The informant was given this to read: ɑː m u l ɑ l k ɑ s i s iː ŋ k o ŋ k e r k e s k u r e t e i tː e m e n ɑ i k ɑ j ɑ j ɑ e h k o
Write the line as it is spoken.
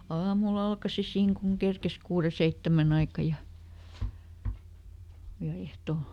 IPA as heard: ɑː m u l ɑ l k ɑ s i s iː ŋ k u ŋ k e r k e s k uː r e s e i tː æ m æ n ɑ i k ɑ j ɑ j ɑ e h t o